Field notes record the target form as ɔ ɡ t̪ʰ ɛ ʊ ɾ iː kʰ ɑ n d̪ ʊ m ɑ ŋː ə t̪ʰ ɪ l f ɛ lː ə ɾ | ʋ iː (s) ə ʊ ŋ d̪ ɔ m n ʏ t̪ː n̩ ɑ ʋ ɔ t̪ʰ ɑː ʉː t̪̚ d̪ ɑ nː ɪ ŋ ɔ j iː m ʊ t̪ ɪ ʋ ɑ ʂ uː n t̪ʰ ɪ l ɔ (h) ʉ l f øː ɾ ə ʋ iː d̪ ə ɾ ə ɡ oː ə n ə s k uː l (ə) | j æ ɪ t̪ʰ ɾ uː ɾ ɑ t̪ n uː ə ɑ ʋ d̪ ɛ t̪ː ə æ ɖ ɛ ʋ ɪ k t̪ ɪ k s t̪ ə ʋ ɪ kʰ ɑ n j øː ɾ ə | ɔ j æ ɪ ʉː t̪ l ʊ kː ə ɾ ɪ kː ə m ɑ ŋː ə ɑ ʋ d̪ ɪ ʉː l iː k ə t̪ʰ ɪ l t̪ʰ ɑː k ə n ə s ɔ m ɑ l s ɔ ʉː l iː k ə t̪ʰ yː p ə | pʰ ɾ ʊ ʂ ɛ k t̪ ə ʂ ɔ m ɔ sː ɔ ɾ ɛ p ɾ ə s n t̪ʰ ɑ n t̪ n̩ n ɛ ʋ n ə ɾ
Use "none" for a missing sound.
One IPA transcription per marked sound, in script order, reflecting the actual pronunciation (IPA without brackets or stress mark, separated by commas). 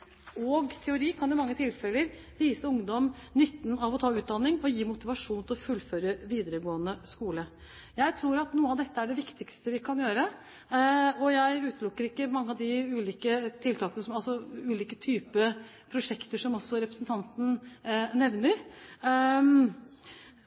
s, f, ə